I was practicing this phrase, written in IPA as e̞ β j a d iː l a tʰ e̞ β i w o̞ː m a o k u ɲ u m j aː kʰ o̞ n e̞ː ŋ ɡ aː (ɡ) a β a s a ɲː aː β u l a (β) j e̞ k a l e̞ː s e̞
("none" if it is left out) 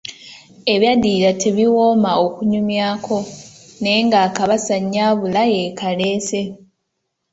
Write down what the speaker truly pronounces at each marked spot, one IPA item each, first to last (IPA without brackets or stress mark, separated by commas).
k, none